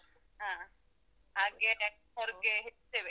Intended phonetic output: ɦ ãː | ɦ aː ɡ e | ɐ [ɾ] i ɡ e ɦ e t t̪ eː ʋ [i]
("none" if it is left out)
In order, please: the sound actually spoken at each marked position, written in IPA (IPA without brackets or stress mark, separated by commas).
ɾ, e